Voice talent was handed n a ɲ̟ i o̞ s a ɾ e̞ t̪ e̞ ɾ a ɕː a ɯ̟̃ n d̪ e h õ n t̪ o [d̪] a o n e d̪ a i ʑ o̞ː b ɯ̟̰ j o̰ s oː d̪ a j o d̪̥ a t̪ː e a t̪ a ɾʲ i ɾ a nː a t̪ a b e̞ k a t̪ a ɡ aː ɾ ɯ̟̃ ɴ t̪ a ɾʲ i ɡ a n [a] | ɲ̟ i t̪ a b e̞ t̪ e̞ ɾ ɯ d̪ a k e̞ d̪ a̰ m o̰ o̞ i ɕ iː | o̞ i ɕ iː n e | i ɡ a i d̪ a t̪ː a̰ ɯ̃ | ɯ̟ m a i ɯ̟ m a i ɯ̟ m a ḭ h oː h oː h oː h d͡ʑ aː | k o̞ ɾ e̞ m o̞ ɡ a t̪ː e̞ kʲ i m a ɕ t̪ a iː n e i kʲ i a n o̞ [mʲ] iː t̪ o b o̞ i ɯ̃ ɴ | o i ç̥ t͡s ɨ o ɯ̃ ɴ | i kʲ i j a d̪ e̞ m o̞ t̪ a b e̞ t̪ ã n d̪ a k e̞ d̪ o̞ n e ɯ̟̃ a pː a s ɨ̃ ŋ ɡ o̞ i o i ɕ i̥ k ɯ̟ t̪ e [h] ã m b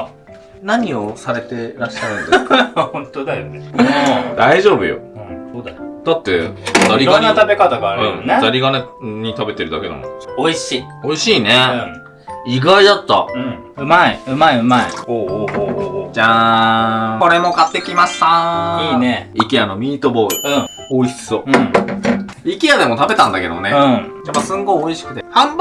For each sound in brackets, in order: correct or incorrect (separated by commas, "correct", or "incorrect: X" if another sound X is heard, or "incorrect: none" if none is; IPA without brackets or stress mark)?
correct, incorrect: e, correct, correct